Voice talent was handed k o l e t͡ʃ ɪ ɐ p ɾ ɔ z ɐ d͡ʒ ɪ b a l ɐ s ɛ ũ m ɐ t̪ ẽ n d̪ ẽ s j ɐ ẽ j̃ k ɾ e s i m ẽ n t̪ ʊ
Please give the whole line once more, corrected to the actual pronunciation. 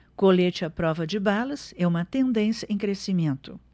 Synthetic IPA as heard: k o l e t͡ʃ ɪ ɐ p ɾ ɔ v ɐ d͡ʒ ɪ b a l ɐ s ɛ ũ m ɐ t̪ ẽ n d̪ ẽ s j ɐ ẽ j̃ k ɾ e s i m ẽ n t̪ ʊ